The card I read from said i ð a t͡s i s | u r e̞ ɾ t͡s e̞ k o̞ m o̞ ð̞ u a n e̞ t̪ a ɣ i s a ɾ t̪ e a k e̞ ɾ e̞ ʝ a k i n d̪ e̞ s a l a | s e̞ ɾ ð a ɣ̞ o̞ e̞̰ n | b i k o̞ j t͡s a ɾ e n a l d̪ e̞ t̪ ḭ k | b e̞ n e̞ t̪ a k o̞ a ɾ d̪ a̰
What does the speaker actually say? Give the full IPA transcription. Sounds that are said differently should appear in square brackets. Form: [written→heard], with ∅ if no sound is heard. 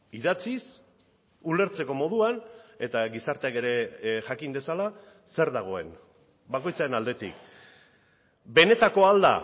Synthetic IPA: i ð a t͡s i s | u [r→l] e̞ ɾ t͡s e̞ k o̞ m o̞ ð̞ u a n e̞ t̪ a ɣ i s a ɾ t̪ e a k e̞ ɾ e̞ ʝ a k i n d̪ e̞ s a l a | s e̞ ɾ ð a ɣ̞ o̞ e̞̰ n | b [i→a] k o̞ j t͡s a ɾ e n a l d̪ e̞ t̪ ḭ k | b e̞ n e̞ t̪ a k o̞ a [ɾ→l] d̪ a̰

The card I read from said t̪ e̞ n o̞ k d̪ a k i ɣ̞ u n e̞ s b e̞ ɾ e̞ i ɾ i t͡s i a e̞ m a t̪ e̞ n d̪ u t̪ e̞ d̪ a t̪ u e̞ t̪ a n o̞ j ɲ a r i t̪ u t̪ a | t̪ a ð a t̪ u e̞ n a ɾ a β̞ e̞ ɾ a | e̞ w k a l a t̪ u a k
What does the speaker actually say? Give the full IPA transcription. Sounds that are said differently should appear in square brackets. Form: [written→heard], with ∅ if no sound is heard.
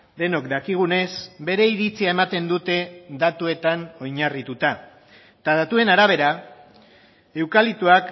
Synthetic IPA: [t̪→d̪] e̞ n o̞ k d̪ a k i ɣ̞ u n e̞ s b e̞ ɾ e̞ i ɾ i t͡s i a e̞ m a t̪ e̞ n d̪ u t̪ e̞ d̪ a t̪ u e̞ t̪ a n o̞ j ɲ a r i t̪ u t̪ a | t̪ a ð a t̪ u e̞ n a ɾ a β̞ e̞ ɾ a | e̞ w k a l [a→i] t̪ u a k

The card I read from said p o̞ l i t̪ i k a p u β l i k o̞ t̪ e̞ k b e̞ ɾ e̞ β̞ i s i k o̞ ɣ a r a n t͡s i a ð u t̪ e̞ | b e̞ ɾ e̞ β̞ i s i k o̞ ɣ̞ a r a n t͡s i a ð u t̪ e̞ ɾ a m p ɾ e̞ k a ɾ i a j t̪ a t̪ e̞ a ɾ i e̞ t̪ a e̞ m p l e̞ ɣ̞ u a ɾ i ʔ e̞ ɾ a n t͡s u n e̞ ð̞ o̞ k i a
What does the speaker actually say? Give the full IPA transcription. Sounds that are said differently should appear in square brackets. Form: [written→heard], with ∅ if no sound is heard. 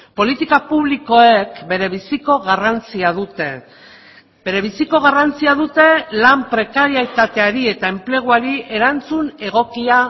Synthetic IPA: p o̞ l i t̪ i k a p u β l i k o̞ [t̪→∅] e̞ k b e̞ ɾ e̞ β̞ i s i k o̞ ɣ a r a n t͡s i a ð u t̪ e̞ | b e̞ ɾ e̞ β̞ i s i k o̞ ɣ̞ a r a n t͡s i a ð u t̪ e̞ [ɾ→l] a m p ɾ e̞ k a ɾ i a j t̪ a t̪ e̞ a ɾ i e̞ t̪ a e̞ m p l e̞ ɣ̞ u a ɾ i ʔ e̞ ɾ a n t͡s u n e̞ [ð̞→ɣ̞] o̞ k i a

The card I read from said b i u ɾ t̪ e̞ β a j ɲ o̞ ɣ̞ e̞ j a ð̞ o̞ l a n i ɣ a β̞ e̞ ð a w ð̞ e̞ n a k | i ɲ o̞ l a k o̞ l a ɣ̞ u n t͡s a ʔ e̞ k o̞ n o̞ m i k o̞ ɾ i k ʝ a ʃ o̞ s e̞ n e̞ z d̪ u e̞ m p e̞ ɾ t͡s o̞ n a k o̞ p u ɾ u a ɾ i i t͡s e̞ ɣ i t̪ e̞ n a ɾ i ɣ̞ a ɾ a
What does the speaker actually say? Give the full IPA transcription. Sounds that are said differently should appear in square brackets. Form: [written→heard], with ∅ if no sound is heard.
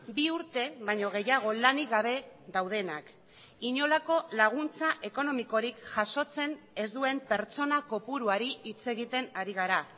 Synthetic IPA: b i u ɾ t̪ e̞ β a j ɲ o̞ ɣ̞ e̞ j a [ð̞→ɣ̞] o̞ l a n i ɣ a β̞ e̞ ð a w ð̞ e̞ n a k | i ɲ o̞ l a k o̞ l a ɣ̞ u n t͡s a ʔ e̞ k o̞ n o̞ m i k o̞ ɾ i k ʝ a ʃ o̞ [s→t͡s] e̞ n e̞ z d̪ u e̞ m p e̞ ɾ t͡s o̞ n a k o̞ p u ɾ u a ɾ i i t͡s e̞ ɣ i t̪ e̞ n a ɾ i ɣ̞ a ɾ a

